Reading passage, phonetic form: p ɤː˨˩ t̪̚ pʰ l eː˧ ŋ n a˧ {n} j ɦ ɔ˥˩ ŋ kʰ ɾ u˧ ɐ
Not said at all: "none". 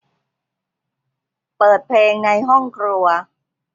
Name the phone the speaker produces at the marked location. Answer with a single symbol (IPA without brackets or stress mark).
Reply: none